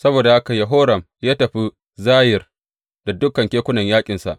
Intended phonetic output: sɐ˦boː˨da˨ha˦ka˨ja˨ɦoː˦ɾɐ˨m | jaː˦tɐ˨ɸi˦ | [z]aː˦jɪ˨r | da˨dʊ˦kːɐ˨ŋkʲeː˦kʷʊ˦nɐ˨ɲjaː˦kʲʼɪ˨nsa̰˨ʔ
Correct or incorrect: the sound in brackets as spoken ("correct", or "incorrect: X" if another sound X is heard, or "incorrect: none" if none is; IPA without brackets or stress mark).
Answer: correct